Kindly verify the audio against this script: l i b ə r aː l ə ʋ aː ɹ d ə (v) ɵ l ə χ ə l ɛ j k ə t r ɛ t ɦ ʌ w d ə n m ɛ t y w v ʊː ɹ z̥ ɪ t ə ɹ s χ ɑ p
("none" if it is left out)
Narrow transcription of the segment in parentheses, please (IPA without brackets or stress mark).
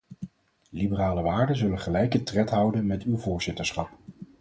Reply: z